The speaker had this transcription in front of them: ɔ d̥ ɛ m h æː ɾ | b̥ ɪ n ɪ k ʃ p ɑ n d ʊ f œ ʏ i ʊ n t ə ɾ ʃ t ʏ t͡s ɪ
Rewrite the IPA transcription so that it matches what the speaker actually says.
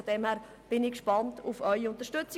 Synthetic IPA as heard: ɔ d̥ ɛ m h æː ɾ | b̥ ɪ n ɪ k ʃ p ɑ n t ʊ f œ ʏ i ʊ n t ə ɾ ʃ t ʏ t͡s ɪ

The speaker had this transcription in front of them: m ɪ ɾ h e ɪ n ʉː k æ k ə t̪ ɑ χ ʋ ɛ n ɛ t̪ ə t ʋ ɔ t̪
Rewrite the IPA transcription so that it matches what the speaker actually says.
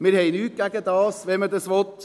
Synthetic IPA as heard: m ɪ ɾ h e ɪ n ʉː k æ k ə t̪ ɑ s ʋ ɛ m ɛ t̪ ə s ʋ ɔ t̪

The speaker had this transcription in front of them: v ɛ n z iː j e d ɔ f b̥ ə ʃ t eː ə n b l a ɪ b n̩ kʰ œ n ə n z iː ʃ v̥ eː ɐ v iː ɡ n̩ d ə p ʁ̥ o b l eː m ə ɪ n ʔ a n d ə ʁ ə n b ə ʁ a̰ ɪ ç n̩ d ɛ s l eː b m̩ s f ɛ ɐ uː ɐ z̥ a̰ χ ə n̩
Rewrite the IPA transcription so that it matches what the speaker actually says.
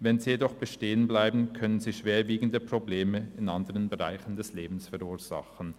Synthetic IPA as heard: v ɛ n z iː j e d ɔ χ b̥ ə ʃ t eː ə n b l a ɪ b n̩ kʰ œ n ə n z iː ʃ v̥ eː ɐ v iː ɡ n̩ d ə p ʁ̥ o b l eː m ə ɪ n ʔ a n d ə ʁ ə n b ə ʁ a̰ ɪ ç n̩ d ɛ s l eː b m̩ s f ɛ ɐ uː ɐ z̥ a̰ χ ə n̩

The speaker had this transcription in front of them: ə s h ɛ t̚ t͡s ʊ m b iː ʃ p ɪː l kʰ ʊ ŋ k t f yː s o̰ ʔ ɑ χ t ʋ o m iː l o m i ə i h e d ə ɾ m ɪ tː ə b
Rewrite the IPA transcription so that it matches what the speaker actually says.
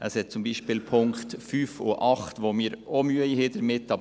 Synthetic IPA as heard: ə s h ɛ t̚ t͡s ʊ m b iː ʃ p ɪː l pʰ ʊ ŋ k t f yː f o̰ ʔ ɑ χ t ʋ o m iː ɾ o m y ə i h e d ə ɾ m ɪ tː ɑ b

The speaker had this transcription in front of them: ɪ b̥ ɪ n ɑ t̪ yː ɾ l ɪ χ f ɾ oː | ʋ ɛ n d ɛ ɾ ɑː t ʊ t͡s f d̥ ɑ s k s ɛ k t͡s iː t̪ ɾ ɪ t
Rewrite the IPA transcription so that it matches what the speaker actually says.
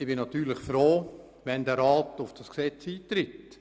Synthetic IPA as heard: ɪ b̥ ɪ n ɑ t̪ yː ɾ l ɪ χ f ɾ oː | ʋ ɛ n d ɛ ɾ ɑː t ʊ f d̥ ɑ s k s ɛ t͡s iː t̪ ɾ ɪ t

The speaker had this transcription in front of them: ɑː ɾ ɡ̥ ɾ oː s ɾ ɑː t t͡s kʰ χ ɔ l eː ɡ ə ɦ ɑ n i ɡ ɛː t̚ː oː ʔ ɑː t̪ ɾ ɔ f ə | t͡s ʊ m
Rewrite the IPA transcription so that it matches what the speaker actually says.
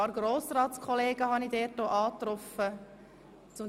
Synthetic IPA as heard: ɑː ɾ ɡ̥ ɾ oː s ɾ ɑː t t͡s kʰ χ ɔ l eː ɡ ə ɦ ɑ n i d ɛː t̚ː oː ʔ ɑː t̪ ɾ ɔ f ə | t͡s ʊ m

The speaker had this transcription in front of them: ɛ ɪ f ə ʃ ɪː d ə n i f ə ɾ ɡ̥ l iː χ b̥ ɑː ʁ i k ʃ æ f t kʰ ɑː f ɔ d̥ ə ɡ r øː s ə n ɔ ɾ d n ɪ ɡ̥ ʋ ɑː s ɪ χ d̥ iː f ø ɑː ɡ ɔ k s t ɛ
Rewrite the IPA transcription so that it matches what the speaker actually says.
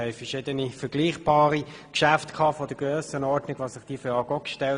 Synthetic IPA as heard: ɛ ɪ f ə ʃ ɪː d ə n i f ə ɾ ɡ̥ l iː χ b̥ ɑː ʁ i k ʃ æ f t kʰ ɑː f ɔ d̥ ə ɡ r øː s ə n ɔ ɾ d n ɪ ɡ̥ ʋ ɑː s ɪ χ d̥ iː f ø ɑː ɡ ɔ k ʃ t ɛ

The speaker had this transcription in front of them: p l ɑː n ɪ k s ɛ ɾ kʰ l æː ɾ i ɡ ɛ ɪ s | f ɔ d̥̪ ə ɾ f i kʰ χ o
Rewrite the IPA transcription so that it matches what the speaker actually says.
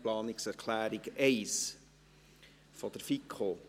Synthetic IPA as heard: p l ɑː n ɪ k s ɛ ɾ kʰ l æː ɾ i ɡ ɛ ɪ s | f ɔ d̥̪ ə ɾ f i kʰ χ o

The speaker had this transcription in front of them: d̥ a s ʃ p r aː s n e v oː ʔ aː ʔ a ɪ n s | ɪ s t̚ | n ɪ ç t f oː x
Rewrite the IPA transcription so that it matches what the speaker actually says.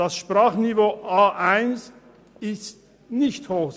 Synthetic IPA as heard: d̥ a s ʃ p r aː χ n i v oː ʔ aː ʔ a ɪ n s | ɪ s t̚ | n ɪ ç t h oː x

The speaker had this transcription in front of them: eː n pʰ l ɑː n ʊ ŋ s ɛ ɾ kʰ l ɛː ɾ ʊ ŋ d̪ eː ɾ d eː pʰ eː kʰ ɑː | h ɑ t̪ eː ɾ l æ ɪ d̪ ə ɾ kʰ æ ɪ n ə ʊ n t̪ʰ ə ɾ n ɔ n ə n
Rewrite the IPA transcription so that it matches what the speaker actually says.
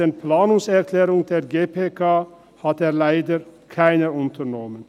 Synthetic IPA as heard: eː n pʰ l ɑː n ʊ ŋ s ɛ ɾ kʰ l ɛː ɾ ʊ ŋ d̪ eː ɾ ɡ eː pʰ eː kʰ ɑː | h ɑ t̪ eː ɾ l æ ɪ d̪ ə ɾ kʰ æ ɪ n ə ʊ n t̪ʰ ə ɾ n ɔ m ə n

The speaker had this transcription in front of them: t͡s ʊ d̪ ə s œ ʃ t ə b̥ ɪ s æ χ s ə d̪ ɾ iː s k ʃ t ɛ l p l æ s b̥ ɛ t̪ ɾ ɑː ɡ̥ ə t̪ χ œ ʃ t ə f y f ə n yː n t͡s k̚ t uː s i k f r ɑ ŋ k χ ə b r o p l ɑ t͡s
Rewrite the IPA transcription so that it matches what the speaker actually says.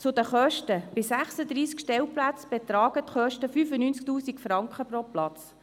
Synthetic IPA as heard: t͡s ʊ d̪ ə χ œ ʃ t ə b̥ ɪ s æ χ s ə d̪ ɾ iː s k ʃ t ɛ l p l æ t͡s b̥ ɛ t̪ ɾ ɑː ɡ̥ ə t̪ χ œ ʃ t ə f y f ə n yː n t͡s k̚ t uː s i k f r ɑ ŋ k χ ə p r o p l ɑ t͡s

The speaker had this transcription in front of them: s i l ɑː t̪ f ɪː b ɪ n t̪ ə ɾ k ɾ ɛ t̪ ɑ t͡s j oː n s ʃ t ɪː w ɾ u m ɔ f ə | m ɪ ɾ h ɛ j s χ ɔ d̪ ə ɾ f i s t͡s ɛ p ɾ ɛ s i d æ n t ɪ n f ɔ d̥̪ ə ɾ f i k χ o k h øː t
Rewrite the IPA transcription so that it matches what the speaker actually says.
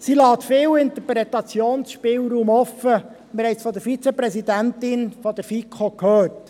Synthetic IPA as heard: s i l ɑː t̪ f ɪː w ɪ n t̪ ə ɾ p ɾ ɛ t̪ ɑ t͡s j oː n s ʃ p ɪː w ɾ uː m ɔ f ə | m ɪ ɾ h ɛ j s f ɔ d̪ ə ɾ f i t͡s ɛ p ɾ ɛ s i d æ n t ɪ n f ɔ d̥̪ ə ɾ f i k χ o k h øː t

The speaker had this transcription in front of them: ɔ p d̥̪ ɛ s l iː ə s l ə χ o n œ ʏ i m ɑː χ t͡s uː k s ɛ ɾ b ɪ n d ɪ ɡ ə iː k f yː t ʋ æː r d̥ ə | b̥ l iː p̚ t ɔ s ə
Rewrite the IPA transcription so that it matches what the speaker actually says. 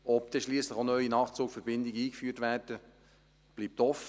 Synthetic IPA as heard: ɔ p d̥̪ ɛ ʃ l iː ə s l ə χ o n œ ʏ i n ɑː χ t͡s uː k f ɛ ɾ b ɪ n d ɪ ɡ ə iː k f yː t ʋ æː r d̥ ə | b̥ l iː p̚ t ɔ f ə

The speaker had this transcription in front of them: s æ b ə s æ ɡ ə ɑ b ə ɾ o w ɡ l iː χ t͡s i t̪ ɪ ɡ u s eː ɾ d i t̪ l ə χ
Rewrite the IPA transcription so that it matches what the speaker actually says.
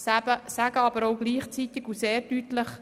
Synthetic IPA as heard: s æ b ə s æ ɡ ə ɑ b ə ɾ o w ɡ l iː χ t͡s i t̪ ɪ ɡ u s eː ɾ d y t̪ l ə χ

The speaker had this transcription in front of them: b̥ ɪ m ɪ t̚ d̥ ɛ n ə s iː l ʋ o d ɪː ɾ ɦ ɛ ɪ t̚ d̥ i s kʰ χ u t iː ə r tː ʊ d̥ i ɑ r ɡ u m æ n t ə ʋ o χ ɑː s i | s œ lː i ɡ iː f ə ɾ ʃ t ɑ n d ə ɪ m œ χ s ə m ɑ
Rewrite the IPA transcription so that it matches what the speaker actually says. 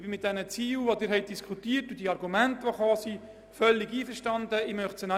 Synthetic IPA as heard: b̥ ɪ m ɪ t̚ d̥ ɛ n ə t͡s iː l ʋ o d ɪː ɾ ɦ ɛ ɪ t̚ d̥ i s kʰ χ u t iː ə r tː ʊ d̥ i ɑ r ɡ u m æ n t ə ʋ o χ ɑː s i | f œ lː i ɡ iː f ə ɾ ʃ t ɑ n d ə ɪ m œ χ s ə n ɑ

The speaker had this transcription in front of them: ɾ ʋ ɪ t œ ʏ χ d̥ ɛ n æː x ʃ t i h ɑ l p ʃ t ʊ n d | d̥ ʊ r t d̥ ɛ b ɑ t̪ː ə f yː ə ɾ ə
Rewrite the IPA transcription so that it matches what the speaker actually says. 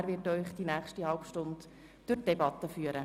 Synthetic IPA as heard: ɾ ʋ ɪ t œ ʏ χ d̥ i n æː χ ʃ t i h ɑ l p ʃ t ʊ n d | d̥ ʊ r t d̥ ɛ b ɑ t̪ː ə f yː ə ɾ ə

